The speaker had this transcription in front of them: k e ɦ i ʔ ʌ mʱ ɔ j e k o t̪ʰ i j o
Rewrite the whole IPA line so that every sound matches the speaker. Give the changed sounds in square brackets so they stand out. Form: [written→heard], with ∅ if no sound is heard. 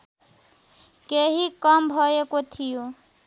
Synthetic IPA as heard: k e ɦ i [ʔ→k] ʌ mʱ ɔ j e k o t̪ʰ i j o